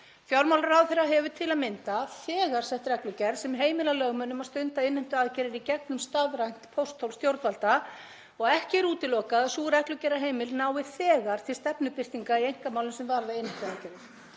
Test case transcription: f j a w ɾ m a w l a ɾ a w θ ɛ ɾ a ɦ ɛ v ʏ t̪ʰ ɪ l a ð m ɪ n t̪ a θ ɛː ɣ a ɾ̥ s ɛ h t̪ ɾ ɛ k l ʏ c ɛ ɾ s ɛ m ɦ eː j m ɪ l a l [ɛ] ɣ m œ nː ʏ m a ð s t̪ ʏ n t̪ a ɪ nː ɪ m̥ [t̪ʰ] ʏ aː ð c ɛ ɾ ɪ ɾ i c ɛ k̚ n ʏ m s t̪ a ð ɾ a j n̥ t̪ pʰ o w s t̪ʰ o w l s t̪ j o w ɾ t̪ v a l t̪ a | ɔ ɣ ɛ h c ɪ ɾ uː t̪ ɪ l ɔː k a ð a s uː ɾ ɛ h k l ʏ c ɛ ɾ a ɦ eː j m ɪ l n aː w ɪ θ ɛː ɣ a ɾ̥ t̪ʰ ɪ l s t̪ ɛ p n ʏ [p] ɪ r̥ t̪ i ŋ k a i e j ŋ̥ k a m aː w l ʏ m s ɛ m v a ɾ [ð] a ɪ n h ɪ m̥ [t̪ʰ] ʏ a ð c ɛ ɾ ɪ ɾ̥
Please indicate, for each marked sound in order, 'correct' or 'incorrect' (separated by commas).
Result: incorrect, incorrect, correct, correct, incorrect